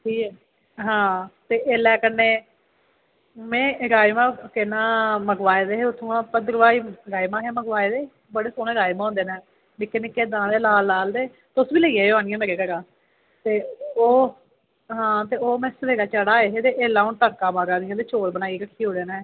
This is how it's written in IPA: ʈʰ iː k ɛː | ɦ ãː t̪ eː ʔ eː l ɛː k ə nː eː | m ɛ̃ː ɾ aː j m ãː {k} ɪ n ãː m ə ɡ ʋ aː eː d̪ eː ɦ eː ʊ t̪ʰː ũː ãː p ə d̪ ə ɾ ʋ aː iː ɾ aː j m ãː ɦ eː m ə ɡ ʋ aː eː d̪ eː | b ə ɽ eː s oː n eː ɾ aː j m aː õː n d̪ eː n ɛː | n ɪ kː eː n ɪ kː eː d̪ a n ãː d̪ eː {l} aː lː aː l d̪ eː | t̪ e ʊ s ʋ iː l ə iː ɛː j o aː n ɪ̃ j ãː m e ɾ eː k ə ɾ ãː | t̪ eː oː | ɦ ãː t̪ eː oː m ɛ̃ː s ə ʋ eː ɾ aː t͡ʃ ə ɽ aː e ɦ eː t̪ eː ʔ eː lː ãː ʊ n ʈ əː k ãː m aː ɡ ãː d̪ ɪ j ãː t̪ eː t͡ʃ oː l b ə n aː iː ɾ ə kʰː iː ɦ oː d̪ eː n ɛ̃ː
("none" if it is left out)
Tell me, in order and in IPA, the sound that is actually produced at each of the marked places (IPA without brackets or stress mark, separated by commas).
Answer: k, l